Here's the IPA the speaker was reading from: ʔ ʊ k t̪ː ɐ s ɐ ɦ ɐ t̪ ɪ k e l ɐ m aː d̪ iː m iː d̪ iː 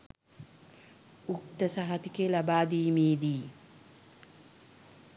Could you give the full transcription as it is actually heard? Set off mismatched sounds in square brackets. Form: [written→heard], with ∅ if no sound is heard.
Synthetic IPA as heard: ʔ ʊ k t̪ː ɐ s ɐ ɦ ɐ t̪ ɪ k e l ɐ [m→b] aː d̪ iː m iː d̪ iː